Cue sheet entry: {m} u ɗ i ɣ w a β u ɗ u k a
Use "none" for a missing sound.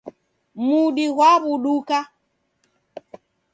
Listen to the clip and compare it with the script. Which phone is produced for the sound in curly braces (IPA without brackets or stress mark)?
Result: m